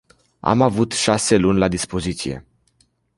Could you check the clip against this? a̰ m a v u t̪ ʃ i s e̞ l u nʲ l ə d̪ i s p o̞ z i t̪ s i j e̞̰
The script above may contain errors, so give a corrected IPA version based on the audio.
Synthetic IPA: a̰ m a v u t̪ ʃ a s e̞ l u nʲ l a d̪ i s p o̞ z i t̪ s i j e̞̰